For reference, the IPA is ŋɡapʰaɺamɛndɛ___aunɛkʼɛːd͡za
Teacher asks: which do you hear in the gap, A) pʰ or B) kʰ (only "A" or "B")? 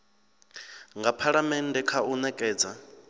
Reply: B